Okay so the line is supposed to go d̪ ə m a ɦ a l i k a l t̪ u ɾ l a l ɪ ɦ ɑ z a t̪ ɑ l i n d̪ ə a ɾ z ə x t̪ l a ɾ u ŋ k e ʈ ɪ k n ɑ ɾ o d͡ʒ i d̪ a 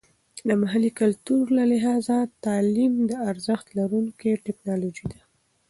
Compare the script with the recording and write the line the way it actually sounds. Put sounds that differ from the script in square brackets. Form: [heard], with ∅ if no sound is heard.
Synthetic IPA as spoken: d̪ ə m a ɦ a l i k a l t̪ u ɾ l a l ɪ ɦ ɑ z a t̪ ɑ l i [m] d̪ ə a ɾ z ə x t̪ l a ɾ u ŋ k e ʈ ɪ k n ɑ [l] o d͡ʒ i d̪ a

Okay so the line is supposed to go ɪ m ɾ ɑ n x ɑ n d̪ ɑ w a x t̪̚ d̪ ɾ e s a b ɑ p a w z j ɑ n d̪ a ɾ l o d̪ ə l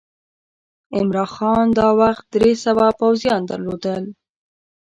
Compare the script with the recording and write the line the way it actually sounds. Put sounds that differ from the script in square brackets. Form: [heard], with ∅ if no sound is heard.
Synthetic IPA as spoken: ɪ m ɾ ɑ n x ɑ n d̪ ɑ w a x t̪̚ d̪ ɾ e s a [w] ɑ p a w z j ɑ n d̪ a ɾ l o d̪ ə l

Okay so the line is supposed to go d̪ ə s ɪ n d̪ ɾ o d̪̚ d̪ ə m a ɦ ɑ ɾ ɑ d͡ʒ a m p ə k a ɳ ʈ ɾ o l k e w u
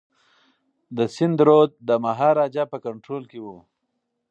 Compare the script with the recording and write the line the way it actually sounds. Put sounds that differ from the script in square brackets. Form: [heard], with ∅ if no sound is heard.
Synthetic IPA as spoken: d̪ ə s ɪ n d̪ ɾ o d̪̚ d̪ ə m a ɦ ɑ ɾ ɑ d͡ʒ a [∅] p ə k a ɳ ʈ ɾ o l k e w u

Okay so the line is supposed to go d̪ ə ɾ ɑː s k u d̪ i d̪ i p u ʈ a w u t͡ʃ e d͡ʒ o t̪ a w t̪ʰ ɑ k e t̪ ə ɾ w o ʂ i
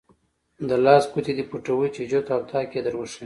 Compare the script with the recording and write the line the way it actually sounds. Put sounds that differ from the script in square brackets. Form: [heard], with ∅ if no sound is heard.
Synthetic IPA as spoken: d̪ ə [l] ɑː s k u [t̪] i d̪ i p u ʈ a w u t͡ʃ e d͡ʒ o t̪ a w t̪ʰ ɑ k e [d̪] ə ɾ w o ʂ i

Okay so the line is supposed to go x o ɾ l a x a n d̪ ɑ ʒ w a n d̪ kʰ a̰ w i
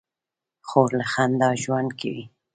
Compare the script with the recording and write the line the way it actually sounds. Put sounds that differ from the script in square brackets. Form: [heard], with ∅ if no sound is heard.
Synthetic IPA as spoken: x o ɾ l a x a n d̪ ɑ ʒ w a n d̪ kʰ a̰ w i

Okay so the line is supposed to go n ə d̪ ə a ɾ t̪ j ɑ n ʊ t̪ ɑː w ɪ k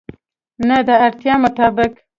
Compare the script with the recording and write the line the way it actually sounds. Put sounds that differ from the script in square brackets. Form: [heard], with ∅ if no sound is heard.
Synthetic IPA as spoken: n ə d̪ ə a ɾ t̪ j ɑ [m] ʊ t̪ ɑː [b] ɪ k

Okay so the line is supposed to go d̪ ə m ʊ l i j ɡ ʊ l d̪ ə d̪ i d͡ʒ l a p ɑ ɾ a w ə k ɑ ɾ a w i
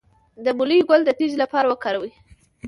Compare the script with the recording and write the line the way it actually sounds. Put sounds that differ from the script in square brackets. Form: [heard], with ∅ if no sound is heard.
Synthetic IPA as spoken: d̪ ə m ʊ l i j ɡ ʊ l d̪ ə [t̪] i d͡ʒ l a p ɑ ɾ a w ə k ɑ ɾ a w i

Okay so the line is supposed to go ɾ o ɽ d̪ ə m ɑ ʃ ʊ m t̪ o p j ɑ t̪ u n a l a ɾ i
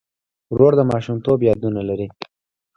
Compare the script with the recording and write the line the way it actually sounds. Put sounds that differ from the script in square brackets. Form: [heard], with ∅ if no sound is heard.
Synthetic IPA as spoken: ɾ o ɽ d̪ ə m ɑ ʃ [u] m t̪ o [b] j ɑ [d̪] u n a l a ɾ i

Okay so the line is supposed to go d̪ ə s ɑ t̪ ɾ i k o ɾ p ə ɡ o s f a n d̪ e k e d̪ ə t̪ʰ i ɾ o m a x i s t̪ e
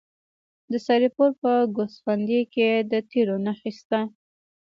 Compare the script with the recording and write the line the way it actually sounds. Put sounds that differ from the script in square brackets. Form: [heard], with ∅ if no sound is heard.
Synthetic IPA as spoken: d̪ ə s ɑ [∅] ɾ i [p] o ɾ p ə ɡ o s f a n d̪ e k e d̪ ə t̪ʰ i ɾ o [n] a x i s t̪ [a]

